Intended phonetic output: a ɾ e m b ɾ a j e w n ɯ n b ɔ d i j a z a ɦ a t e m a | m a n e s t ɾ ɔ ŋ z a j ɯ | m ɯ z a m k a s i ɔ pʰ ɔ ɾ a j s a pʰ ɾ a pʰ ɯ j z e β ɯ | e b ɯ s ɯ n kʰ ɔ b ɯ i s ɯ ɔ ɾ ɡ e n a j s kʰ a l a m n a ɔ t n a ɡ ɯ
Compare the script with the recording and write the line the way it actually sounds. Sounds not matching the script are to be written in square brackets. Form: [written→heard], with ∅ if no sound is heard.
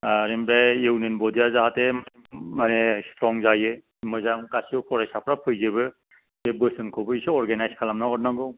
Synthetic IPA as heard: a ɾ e m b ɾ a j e w n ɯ n b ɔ d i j a z a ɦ a t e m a | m a n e s t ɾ ɔ ŋ z a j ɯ | m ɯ z a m k a s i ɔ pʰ ɔ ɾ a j s a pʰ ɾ a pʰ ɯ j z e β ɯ | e b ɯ s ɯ n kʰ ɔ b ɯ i s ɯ ɔ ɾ ɡ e n a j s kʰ a l a m n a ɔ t n a ɡ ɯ